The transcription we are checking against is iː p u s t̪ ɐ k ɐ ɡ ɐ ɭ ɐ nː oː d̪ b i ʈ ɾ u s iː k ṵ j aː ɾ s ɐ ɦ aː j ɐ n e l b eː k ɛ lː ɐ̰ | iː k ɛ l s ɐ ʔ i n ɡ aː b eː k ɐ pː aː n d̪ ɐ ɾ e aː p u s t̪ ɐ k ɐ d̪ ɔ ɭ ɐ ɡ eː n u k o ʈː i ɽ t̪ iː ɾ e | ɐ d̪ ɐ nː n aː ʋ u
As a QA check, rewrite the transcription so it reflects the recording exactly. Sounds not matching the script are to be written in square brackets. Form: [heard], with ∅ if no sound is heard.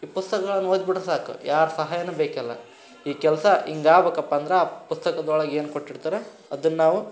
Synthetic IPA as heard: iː p u s t̪ ɐ k ɐ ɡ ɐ ɭ ɐ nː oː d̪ b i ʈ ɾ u s [aː] k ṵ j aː ɾ s ɐ ɦ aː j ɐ n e [∅] b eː k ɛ lː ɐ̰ | iː k ɛ l s ɐ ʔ i [ŋ] ɡ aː b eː k ɐ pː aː n d̪ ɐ ɾ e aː p u s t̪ ɐ k ɐ d̪ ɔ ɭ ɐ ɡ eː n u k o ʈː i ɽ t̪ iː ɾ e | ɐ d̪ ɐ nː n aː ʋ u